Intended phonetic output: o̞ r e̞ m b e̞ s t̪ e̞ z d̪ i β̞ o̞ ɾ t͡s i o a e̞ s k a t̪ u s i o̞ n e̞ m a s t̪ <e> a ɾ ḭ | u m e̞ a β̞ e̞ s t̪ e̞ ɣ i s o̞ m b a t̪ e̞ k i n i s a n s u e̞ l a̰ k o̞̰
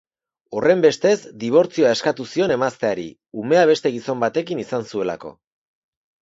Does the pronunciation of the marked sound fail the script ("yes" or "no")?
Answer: no